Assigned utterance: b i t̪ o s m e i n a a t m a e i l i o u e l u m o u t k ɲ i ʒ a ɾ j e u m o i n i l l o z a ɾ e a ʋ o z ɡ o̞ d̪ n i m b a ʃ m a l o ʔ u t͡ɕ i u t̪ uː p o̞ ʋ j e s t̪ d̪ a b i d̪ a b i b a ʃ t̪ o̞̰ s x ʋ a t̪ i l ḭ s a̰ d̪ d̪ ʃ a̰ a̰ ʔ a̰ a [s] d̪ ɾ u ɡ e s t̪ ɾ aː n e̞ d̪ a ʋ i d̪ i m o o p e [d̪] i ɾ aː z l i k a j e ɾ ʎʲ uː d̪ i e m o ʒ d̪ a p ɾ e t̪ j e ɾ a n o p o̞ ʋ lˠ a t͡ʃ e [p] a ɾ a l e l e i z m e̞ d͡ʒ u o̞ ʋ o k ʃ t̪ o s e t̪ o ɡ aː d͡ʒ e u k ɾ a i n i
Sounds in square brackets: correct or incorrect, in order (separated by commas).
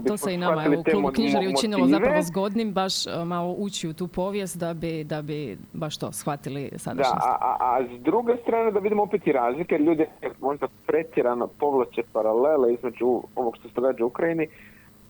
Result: incorrect, incorrect, correct